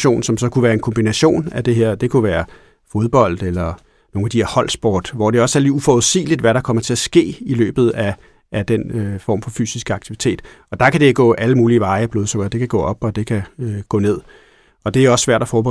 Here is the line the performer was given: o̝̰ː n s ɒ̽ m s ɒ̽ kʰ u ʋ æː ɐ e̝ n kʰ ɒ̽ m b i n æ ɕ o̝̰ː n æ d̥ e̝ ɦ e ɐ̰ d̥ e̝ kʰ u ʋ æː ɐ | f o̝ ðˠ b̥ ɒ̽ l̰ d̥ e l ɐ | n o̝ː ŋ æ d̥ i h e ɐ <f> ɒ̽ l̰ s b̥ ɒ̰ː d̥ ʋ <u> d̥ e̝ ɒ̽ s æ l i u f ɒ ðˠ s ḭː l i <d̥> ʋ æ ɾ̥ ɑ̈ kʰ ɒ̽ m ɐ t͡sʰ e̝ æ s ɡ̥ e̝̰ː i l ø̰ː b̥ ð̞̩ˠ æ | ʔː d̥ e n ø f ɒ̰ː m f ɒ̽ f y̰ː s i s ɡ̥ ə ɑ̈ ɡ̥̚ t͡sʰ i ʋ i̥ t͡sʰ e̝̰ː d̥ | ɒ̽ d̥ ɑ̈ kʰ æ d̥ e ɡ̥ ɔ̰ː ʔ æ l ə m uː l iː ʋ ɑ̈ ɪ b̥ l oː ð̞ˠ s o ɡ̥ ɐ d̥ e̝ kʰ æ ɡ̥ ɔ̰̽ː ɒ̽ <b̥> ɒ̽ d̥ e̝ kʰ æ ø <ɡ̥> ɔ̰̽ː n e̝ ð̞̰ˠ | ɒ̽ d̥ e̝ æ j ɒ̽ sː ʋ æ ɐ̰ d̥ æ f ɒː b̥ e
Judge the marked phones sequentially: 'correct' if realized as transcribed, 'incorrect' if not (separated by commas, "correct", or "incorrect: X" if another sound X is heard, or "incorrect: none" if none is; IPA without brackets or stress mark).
incorrect: h, incorrect: ɒ, correct, correct, correct